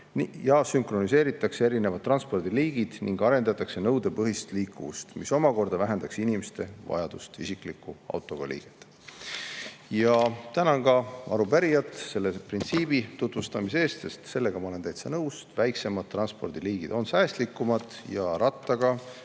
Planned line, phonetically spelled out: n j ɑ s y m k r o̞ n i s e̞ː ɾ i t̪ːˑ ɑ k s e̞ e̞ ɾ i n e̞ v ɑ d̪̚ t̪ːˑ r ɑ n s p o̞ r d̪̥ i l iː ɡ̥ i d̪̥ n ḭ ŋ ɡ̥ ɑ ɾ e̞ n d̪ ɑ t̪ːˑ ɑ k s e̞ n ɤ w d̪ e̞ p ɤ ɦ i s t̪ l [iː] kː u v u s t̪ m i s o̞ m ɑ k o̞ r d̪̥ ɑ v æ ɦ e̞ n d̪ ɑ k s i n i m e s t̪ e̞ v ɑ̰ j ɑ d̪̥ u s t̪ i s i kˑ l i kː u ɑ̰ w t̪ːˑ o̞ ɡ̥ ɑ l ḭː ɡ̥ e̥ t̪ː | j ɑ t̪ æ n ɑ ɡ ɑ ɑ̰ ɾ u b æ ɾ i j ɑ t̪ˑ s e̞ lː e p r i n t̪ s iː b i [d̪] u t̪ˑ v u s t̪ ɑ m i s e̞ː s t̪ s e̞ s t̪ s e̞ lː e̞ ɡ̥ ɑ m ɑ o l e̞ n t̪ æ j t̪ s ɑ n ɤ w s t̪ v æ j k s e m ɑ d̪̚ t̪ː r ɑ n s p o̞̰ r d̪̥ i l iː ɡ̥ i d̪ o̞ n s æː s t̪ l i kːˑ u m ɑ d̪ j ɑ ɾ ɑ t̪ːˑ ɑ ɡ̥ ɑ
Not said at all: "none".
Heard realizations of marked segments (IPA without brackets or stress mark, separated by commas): iː, t̪